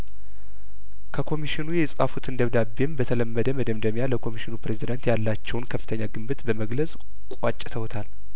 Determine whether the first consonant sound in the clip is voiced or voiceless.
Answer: voiceless